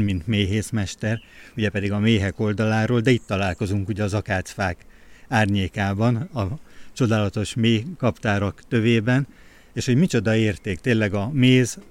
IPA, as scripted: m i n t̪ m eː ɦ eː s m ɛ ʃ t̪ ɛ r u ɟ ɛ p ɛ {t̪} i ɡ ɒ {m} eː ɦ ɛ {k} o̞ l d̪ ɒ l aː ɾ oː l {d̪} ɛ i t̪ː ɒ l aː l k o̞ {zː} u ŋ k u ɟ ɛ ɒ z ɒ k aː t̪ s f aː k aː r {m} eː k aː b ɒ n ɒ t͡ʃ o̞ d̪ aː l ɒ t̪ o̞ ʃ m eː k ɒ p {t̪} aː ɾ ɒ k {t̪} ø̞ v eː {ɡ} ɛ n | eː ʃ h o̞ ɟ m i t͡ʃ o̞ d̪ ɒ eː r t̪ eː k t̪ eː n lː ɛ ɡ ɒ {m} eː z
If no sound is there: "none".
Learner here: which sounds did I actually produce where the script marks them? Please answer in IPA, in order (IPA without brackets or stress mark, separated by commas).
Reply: d̪, m, k, d̪, z, ɲ, t̪, t̪, b, m